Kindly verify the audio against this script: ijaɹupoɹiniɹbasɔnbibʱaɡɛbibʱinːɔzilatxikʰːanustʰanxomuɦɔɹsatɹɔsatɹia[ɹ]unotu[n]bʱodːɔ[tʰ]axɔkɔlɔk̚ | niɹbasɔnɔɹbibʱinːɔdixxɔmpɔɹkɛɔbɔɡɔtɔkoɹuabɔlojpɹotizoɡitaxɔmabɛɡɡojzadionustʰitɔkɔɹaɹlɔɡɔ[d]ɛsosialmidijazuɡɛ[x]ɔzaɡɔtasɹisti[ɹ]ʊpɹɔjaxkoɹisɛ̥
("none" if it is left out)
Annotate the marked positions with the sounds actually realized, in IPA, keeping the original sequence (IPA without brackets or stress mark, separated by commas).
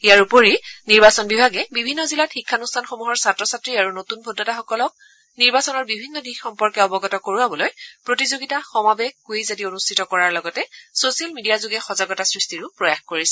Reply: ɹ, n, t, t, x, ɹ